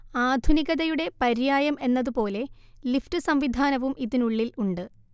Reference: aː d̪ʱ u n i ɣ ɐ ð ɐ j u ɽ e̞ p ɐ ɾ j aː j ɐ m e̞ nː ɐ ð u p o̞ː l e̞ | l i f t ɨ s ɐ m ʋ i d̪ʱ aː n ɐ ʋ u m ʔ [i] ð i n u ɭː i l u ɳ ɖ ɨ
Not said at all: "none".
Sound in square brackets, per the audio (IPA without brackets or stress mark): i